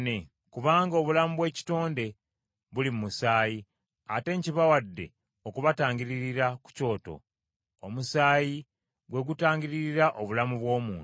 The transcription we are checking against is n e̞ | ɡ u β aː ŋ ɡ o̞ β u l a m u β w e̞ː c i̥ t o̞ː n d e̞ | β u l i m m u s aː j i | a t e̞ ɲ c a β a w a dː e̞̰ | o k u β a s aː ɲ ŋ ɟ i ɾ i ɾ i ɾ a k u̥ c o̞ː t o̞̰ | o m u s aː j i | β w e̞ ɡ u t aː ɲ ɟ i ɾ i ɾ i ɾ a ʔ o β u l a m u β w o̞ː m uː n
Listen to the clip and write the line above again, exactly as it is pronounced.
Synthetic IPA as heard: n e̞ | k u β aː ŋ ɡ o̞ β u l a m u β w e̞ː c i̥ t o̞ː n d e̞ | β u l i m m u s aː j i | a t e̞ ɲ c i β a w a dː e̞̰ | o k u β a t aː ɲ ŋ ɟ i ɾ i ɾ i ɾ a k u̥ c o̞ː t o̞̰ | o m u s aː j i | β w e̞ ɡ u t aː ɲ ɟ i ɾ i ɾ i ɾ a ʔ o β u l a m u β w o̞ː m uː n